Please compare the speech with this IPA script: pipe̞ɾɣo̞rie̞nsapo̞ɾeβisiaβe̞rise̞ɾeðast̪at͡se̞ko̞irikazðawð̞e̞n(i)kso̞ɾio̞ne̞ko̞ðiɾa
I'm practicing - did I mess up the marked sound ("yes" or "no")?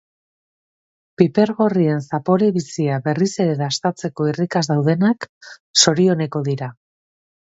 yes